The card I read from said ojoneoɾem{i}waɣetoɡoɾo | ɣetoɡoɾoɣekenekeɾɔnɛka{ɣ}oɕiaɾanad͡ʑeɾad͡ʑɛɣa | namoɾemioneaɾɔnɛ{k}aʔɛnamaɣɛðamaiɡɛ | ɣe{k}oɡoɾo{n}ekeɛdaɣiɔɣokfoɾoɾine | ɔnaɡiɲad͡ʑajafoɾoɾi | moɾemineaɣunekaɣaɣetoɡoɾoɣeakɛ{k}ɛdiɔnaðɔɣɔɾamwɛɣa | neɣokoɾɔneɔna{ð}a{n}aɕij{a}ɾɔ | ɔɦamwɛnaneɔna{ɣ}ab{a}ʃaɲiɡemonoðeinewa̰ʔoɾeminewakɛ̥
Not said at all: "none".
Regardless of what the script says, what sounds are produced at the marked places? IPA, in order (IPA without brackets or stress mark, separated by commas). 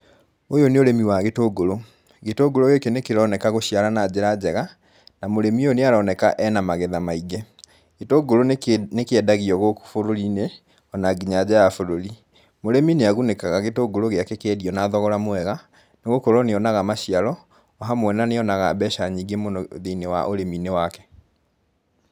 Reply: i, ɣ, k, t, n, k, ɣ, m, a, ɣ, ɛ